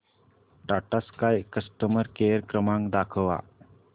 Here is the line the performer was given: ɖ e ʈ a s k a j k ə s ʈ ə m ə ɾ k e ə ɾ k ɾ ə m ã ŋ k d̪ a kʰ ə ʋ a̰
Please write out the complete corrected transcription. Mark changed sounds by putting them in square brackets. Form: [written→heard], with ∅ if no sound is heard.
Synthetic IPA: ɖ [e→a] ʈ a s k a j k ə s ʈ ə m ə ɾ k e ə ɾ k ɾ ə m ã ŋ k d̪ a kʰ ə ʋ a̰